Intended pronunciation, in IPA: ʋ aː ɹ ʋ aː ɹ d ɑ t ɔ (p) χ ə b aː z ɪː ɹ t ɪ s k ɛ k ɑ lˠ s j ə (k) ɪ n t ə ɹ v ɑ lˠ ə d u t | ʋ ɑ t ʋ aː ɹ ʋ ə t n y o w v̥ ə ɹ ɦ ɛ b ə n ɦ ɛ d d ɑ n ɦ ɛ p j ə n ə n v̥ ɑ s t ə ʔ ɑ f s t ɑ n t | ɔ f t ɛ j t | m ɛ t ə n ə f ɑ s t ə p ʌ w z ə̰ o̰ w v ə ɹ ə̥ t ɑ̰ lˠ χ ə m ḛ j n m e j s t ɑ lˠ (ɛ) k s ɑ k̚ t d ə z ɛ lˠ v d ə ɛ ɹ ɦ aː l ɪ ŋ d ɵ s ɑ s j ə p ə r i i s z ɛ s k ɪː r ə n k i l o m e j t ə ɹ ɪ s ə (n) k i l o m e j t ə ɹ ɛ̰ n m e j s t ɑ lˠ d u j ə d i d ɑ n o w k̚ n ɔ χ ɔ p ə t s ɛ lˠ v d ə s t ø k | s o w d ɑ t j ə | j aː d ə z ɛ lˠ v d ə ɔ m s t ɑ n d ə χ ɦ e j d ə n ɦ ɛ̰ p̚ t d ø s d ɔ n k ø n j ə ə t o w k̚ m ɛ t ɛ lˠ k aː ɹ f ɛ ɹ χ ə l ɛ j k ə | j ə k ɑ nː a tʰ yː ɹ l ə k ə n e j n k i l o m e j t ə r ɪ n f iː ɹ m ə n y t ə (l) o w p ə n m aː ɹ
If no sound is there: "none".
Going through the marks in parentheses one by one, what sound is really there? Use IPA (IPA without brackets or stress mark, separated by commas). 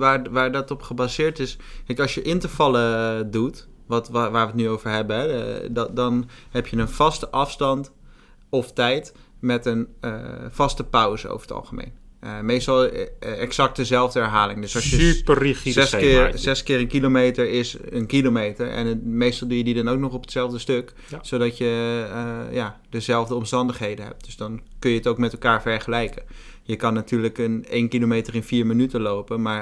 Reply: p, ʔ, ɛ, n, l